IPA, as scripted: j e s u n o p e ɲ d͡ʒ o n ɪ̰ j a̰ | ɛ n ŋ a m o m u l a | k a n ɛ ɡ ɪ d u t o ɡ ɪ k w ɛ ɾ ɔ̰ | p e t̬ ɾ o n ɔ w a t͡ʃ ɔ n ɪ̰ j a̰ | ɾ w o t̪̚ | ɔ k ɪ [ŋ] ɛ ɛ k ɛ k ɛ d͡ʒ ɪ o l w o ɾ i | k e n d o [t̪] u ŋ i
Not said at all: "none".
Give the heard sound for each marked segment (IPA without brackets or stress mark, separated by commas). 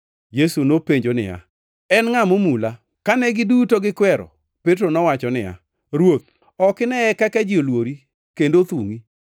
n, t̪